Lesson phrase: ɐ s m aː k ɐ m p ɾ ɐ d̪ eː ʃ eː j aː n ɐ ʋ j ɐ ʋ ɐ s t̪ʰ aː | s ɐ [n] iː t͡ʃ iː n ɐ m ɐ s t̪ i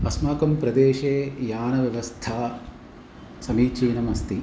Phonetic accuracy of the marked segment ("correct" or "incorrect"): incorrect